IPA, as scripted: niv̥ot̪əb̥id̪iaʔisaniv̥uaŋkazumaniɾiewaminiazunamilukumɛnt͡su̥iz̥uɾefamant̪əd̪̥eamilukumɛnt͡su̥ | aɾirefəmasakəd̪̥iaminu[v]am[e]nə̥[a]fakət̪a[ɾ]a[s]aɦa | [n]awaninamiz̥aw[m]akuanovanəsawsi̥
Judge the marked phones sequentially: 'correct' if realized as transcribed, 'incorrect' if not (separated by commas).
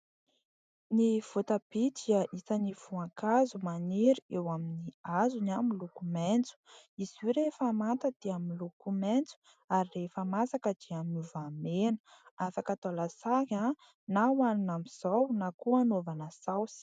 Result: correct, correct, correct, incorrect, correct, correct, incorrect